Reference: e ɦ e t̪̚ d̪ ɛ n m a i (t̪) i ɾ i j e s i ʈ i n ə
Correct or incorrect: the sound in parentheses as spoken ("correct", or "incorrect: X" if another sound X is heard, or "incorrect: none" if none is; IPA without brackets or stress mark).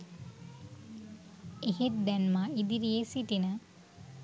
incorrect: d̪